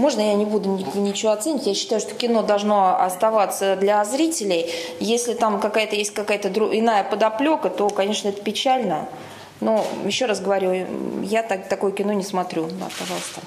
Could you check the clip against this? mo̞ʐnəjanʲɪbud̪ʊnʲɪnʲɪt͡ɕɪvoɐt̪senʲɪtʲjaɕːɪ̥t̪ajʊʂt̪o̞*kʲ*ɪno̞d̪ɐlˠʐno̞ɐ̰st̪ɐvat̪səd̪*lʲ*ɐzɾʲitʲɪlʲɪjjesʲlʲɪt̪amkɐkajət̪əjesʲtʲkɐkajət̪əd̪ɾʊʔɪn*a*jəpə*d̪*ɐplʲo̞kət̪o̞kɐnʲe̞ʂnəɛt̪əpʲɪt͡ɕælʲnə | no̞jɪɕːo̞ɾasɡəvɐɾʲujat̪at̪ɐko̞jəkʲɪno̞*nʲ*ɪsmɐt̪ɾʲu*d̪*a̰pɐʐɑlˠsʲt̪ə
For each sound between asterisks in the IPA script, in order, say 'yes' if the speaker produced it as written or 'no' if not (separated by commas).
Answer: yes, yes, yes, yes, yes, yes